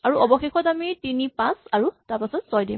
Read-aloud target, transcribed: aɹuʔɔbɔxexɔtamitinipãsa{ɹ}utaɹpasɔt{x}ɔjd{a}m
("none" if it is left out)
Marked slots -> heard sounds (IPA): ɹ, s, i

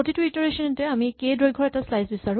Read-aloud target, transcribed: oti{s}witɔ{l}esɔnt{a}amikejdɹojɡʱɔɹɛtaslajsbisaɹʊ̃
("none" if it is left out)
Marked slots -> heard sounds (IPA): t, ɹ, ɛ

